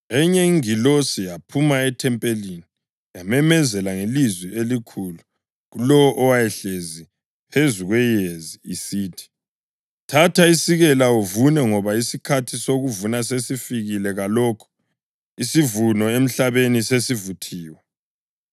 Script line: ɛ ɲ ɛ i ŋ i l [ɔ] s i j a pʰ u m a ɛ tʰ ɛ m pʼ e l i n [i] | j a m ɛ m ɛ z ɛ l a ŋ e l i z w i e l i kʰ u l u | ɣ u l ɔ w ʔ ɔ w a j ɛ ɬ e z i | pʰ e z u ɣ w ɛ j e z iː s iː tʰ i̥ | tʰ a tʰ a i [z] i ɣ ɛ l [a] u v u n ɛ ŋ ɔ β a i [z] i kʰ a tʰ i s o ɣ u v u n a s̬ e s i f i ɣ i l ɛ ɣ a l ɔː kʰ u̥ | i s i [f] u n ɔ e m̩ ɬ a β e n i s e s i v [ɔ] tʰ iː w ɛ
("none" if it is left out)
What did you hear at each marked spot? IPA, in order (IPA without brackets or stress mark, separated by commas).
o, i, s, a, s, v, u